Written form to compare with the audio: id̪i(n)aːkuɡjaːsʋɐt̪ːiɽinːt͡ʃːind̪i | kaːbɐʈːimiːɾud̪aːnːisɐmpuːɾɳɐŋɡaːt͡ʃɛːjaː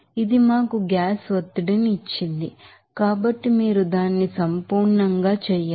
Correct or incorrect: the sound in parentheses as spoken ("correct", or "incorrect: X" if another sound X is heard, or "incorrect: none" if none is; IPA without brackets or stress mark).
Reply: incorrect: m